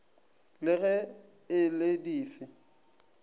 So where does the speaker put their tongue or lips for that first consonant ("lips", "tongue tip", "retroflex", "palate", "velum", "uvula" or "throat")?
tongue tip